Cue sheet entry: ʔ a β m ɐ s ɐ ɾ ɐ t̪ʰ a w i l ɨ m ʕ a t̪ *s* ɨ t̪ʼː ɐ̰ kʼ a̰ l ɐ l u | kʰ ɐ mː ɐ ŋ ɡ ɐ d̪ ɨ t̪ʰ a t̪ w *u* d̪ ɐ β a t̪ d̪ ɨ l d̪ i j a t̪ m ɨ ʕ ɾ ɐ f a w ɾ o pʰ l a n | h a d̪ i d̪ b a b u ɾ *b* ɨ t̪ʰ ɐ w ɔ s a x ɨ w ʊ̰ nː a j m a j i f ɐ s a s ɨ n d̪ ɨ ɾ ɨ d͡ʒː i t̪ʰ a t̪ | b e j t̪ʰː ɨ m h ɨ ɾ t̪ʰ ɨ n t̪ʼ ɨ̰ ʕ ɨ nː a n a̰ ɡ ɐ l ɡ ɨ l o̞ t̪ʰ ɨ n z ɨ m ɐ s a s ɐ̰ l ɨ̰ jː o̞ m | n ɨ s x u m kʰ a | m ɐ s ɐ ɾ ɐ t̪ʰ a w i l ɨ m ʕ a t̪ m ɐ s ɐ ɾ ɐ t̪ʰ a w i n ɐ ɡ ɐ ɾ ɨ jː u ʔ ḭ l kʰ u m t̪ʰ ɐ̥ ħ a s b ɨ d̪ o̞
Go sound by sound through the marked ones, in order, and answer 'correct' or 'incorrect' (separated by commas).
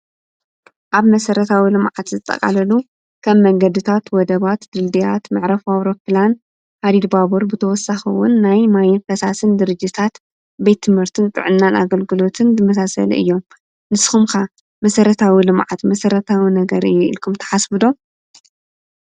incorrect, incorrect, correct